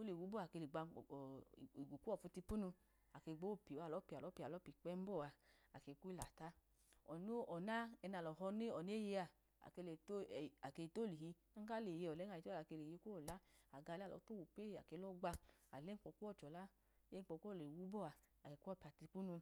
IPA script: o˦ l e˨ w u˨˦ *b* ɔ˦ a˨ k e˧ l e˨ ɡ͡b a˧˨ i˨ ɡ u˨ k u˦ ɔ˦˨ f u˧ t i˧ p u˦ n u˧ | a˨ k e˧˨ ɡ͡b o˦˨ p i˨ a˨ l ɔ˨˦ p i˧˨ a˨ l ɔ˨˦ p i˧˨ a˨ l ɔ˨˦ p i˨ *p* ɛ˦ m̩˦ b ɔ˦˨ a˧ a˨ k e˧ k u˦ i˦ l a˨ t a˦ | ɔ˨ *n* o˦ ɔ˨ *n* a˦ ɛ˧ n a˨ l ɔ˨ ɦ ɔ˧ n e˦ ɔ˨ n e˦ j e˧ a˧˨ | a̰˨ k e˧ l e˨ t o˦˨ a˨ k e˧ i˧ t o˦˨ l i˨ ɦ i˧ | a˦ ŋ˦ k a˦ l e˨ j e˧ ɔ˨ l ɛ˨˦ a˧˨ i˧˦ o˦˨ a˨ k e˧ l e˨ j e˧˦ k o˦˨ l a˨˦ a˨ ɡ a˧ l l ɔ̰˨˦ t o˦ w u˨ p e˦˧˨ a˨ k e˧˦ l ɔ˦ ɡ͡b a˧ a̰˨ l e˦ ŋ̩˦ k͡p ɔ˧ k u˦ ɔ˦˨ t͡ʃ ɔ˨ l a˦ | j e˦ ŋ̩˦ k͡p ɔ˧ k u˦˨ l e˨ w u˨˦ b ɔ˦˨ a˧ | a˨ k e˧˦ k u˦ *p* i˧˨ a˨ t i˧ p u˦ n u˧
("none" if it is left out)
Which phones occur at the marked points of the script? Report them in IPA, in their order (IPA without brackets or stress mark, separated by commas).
b, k͡p, n, n, p